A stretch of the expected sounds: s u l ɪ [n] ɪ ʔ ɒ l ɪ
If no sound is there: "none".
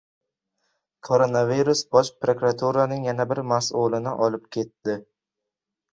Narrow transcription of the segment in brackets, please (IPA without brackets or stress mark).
n